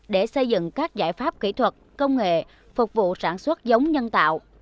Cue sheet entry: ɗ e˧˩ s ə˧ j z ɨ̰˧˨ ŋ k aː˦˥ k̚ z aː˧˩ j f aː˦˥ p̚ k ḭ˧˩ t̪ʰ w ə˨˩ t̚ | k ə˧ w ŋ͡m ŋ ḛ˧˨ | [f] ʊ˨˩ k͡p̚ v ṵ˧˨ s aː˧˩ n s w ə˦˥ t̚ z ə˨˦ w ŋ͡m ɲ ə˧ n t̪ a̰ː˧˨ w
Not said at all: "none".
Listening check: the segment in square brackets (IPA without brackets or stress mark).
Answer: f